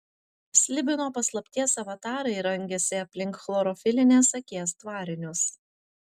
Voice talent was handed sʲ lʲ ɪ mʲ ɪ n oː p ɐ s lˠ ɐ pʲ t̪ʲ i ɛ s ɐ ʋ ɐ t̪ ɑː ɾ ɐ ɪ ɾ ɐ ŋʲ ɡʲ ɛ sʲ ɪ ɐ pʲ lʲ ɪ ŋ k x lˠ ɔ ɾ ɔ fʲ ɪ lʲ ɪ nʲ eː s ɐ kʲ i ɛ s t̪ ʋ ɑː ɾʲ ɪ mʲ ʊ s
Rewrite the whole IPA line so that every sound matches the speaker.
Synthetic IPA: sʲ lʲ ɪ bʲ ɪ n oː p ɐ s lˠ ɐ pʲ t̪ʲ i ɛ s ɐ ʋ ɐ t̪ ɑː ɾ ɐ ɪ ɾ ɐ ŋʲ ɡʲ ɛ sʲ ɪ ɐ pʲ lʲ ɪ ŋ k x lˠ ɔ ɾ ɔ fʲ ɪ lʲ ɪ nʲ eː s ɐ kʲ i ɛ s t̪ ʋ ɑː ɾʲ ɪ nʲ ʊ s